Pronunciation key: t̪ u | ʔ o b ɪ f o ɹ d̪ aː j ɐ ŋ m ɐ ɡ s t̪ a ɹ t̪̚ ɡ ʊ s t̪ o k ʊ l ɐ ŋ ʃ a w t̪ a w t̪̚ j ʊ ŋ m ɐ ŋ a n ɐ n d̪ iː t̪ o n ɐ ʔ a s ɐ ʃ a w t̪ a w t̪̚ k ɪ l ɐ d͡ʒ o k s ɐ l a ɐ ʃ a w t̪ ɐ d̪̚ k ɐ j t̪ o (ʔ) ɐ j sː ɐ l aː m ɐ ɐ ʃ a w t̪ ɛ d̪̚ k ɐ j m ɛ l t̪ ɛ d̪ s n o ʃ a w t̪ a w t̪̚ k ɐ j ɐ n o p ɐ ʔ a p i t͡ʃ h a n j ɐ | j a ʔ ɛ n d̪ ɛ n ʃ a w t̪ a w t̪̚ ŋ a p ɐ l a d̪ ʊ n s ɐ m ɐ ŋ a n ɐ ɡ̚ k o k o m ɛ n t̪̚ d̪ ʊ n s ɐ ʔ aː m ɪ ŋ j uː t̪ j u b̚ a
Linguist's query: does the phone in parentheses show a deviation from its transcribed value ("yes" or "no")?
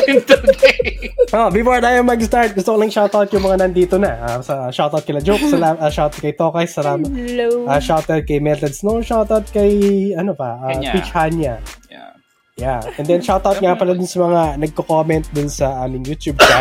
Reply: yes